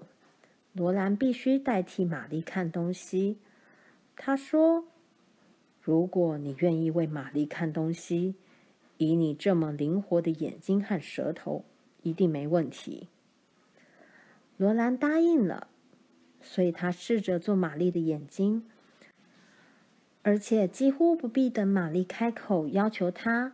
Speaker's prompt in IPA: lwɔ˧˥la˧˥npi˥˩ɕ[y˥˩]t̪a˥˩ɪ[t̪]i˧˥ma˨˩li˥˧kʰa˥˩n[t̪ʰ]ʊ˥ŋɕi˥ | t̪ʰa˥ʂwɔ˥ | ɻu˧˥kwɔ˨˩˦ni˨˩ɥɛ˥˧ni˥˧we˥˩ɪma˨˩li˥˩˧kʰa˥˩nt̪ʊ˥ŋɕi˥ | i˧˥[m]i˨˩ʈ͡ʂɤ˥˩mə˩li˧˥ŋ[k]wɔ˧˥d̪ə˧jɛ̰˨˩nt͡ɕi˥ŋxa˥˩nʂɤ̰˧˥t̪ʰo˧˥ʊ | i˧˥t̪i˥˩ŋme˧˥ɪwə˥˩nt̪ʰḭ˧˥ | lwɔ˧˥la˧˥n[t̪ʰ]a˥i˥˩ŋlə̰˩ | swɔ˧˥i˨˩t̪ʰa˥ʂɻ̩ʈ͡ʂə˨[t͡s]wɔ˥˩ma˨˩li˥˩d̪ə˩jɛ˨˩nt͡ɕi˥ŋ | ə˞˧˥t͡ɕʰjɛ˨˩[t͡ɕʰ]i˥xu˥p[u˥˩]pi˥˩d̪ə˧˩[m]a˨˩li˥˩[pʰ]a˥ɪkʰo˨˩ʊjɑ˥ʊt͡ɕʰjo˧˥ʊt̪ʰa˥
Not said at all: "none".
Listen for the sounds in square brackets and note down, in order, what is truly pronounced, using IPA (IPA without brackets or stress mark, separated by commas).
y˥, t̪ʰ, t̪, n, x, t̪, t͡s, t͡ɕ, u˧˥, m, kʰ